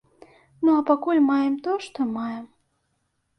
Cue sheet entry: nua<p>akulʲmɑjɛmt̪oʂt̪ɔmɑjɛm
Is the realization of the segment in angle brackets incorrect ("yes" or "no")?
no